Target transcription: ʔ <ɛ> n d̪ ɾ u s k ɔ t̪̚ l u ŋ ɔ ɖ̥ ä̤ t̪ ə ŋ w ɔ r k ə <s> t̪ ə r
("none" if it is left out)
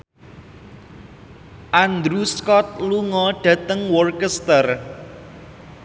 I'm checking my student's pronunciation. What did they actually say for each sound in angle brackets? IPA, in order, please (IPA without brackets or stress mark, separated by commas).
a, s